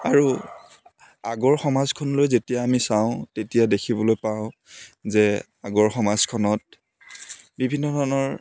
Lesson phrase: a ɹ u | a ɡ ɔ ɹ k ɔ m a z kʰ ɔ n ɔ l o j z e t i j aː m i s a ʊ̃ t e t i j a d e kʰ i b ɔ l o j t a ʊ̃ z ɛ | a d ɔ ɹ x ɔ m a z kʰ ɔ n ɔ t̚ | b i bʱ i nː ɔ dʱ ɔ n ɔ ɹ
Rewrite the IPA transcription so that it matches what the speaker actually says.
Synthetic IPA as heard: a ɹ u | a ɡ ɔ ɹ x ɔ m a z kʰ ɔ n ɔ l o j z e t i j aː m i s a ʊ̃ t e t i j a d e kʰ i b ɔ l o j p a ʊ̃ z ɛ | a ɡ ɔ ɹ x ɔ m a z kʰ ɔ n ɔ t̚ | b i bʱ i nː ɔ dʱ ɔ n ɔ ɹ